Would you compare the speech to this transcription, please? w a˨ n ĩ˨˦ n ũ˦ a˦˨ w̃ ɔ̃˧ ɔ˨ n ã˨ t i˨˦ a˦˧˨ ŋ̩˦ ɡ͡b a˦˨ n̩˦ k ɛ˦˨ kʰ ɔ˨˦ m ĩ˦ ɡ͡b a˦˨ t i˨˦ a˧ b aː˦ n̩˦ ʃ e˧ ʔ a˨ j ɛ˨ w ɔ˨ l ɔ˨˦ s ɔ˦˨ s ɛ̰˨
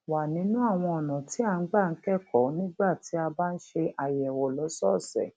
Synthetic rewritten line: w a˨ n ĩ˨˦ n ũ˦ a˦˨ w̃ ɔ̃˧ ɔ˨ n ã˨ t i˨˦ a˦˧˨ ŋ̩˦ ɡ͡b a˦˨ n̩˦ k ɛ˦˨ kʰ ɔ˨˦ n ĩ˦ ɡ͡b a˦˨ t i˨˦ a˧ b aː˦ n̩˦ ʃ e˧ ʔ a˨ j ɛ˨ w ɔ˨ l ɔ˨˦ s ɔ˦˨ s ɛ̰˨

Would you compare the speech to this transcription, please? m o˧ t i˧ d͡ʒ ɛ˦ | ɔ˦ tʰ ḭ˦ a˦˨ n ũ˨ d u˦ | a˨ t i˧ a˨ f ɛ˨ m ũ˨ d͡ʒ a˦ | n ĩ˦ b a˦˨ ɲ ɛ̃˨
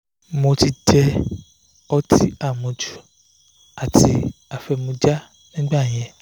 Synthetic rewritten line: m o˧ t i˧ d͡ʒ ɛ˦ | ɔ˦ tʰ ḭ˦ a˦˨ m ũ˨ d͡ʒ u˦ | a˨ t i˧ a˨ f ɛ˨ m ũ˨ d͡ʒ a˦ | n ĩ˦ ɡ͡b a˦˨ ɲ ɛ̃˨

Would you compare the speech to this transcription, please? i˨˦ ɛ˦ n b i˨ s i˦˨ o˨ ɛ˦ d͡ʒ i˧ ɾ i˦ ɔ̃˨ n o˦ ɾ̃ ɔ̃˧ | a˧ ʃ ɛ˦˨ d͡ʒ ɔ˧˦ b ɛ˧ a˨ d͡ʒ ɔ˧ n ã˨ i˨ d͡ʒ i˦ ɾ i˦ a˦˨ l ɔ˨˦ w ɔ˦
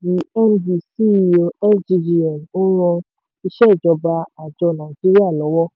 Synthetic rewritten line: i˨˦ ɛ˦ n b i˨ s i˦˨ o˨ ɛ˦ d͡ʒ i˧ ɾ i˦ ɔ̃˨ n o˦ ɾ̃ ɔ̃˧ | i˧ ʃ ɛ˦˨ d͡ʒ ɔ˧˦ b a˧ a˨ d͡ʒ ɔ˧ n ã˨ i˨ d͡ʒ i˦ ɾ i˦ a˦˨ l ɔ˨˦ w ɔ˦

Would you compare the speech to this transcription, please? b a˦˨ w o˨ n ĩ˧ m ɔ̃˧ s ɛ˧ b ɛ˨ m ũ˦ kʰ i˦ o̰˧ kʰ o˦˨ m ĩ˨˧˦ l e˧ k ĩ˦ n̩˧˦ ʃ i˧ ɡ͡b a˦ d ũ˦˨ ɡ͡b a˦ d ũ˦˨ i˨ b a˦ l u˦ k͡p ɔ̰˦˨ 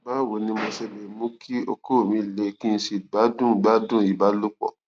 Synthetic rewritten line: b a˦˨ w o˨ n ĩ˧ m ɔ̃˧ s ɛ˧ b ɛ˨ m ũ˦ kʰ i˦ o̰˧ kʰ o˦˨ m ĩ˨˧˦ l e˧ k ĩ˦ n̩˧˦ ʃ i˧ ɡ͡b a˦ d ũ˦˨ ɡ͡b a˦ d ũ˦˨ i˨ b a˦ l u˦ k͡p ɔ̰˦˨

